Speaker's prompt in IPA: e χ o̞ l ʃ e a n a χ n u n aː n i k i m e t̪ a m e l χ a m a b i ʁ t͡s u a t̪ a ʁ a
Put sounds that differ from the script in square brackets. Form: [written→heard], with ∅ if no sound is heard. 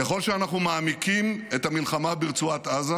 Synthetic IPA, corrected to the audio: e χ o̞ l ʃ e a n a χ n u [n→m] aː [n→m] i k i m e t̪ a m [e→i] l χ a m a b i ʁ t͡s u a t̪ a [ʁ→z] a